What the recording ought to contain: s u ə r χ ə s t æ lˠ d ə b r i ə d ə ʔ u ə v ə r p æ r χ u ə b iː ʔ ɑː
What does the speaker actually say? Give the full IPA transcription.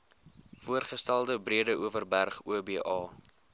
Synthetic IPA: f u ə r χ ə s t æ lˠ d ə b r i ə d ə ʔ u ə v ə r b æ r χ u ə b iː ʔ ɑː

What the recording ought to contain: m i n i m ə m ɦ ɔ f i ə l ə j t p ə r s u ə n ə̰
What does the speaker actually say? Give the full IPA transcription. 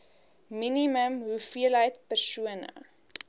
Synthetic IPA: m i n i m ə m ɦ u f i ə l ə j t p ə r s u ə n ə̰

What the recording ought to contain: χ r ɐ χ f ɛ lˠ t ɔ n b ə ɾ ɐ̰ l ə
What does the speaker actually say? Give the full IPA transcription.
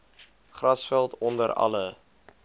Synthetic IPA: χ r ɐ s f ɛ lˠ t ɔ n d ə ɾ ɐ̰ l ə

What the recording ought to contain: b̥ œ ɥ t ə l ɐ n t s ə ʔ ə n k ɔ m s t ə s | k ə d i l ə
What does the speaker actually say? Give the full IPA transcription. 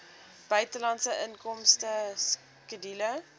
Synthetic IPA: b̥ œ ɥ t ə l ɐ n t s ə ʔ ə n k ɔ m s t ə s | k ə d i l ə

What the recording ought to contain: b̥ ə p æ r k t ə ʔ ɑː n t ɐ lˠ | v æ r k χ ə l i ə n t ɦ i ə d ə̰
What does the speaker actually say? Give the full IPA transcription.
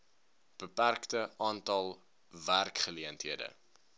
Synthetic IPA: b̥ ə p æ r k t ə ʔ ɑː n t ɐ lˠ | v æ r k χ ə l i ə n t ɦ i ə d ə̰

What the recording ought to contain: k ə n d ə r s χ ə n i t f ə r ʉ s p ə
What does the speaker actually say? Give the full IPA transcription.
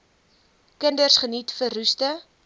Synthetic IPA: k ə n d ə r s χ ə n i t f ə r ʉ s t ə

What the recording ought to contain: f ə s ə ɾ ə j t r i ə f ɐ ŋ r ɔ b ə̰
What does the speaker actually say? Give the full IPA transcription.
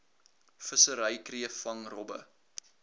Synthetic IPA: f ə s ə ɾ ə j k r i ə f ɐ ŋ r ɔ b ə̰

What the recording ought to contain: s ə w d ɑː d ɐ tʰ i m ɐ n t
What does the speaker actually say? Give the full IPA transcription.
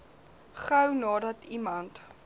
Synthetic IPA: χ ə w n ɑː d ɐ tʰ i m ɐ n t

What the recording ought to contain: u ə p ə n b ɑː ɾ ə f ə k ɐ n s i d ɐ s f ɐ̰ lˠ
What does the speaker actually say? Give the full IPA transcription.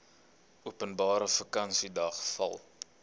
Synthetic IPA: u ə p ə n b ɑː ɾ ə f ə k ɐ n s i d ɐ χ f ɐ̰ lˠ

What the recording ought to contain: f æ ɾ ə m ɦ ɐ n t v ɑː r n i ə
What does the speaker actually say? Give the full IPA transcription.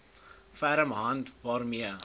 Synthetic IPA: f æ ɾ ə m ɦ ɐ n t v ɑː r m i ə

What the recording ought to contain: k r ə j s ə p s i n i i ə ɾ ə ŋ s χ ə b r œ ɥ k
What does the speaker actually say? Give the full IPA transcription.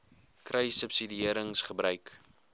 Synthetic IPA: k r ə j s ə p s i d i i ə ɾ ə ŋ s χ ə b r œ ɥ k

